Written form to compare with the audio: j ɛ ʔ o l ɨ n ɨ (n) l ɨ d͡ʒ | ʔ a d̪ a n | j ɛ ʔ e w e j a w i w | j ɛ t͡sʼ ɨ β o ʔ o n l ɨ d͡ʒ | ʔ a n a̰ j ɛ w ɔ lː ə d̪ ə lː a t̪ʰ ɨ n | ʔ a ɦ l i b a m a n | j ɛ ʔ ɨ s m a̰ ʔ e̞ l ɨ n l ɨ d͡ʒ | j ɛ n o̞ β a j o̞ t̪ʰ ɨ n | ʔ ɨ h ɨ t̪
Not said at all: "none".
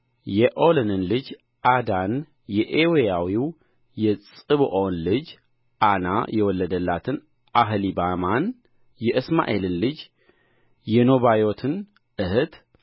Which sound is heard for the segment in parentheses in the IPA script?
n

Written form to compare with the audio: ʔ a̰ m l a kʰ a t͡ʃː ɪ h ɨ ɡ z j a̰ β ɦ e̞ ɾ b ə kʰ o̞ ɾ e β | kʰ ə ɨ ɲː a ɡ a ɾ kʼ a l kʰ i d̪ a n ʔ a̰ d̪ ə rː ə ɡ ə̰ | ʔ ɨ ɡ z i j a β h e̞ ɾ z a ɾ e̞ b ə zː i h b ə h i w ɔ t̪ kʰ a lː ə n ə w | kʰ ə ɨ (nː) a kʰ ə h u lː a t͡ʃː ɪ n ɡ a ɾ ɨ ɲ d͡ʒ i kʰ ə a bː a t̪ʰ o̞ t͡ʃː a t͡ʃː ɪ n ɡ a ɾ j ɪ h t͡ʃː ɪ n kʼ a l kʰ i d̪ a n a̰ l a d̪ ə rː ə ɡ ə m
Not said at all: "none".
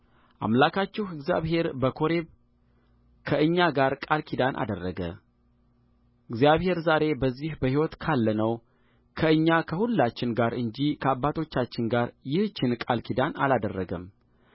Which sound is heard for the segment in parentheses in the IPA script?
ɲː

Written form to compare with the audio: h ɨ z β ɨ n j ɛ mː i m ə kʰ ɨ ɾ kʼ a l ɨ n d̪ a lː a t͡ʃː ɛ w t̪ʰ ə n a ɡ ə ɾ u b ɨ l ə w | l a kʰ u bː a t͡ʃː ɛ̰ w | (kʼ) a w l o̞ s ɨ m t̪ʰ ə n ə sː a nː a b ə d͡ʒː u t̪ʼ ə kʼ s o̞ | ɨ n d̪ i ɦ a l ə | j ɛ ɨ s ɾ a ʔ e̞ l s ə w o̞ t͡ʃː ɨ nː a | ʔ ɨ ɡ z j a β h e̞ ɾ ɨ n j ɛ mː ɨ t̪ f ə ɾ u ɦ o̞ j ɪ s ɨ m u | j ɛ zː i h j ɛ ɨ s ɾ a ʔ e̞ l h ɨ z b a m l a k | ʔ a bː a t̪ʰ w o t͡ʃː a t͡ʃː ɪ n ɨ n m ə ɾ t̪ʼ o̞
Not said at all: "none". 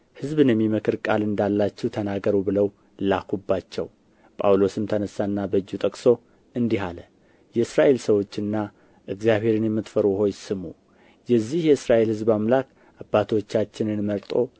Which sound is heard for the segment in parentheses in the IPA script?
pʼ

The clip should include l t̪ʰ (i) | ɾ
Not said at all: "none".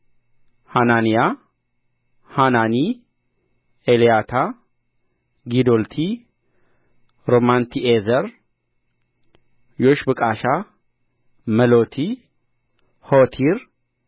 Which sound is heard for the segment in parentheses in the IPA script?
i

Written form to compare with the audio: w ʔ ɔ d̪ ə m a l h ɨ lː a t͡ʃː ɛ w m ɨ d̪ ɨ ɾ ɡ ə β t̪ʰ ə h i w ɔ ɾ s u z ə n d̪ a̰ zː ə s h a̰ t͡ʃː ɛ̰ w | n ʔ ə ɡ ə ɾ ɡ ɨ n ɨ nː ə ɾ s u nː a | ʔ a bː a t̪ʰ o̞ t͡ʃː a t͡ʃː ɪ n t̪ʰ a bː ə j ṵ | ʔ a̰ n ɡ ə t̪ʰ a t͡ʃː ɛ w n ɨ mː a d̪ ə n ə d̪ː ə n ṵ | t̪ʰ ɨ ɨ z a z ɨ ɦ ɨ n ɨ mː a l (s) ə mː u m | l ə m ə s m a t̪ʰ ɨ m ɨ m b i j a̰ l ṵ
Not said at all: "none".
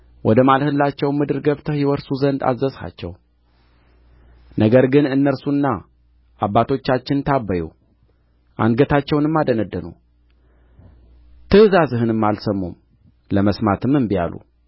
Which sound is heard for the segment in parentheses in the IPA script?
s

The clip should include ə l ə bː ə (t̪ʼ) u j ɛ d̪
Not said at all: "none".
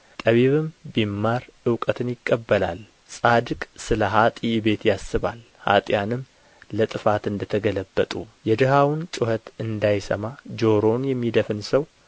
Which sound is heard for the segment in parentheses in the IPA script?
t̪ʼ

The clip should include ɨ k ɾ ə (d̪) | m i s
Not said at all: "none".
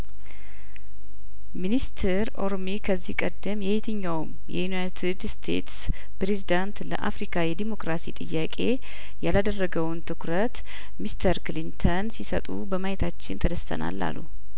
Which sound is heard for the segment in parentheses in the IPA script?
t̪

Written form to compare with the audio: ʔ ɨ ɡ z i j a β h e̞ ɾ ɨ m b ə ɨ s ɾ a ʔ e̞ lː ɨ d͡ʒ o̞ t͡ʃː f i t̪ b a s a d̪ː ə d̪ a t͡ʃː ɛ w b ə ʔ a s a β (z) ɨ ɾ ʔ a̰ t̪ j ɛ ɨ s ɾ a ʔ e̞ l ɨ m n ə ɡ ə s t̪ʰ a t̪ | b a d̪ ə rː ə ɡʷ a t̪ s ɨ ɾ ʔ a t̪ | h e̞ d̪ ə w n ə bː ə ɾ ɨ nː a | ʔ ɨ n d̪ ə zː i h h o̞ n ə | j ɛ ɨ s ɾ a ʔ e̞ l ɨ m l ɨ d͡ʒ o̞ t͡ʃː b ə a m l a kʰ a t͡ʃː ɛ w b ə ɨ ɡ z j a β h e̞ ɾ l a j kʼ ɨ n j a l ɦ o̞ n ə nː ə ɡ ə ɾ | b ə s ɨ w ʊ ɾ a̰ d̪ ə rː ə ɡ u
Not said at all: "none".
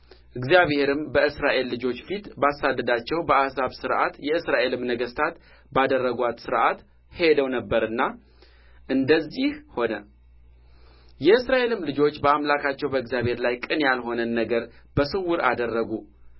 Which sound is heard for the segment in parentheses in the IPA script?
s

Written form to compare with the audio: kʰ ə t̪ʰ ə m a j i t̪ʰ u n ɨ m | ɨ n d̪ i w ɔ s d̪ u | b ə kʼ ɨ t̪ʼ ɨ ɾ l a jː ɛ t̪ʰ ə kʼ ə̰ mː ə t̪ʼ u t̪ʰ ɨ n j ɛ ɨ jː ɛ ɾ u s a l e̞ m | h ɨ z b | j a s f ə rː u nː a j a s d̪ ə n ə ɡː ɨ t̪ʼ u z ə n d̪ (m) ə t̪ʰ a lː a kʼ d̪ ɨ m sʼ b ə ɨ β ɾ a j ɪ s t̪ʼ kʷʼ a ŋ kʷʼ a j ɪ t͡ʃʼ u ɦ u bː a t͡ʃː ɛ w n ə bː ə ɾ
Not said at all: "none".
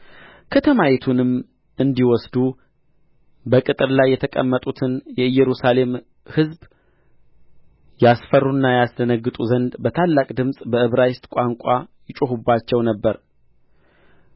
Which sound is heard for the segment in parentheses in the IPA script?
b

